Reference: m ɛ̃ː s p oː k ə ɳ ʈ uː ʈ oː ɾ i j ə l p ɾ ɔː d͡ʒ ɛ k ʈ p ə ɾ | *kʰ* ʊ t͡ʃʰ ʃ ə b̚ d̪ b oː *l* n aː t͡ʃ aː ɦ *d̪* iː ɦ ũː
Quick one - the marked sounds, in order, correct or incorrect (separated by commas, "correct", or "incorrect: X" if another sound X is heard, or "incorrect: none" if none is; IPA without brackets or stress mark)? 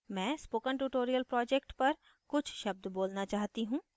incorrect: k, correct, incorrect: t̪